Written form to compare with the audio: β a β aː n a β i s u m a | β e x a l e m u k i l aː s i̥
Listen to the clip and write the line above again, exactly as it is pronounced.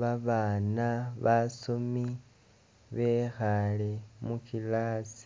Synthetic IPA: β a β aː n a β a s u m i | β e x a l e m u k i l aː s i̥